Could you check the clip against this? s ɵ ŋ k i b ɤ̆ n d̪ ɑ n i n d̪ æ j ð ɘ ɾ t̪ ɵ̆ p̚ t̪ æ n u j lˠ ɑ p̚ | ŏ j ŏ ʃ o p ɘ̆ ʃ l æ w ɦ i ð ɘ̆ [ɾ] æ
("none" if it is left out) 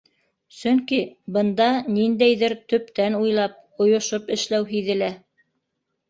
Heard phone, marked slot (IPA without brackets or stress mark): l